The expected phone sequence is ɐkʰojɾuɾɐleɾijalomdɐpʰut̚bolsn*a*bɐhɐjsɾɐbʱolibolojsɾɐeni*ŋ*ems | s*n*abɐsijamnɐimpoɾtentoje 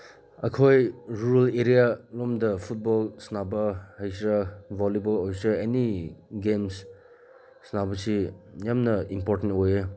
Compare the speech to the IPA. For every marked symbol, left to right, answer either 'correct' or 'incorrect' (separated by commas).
correct, incorrect, correct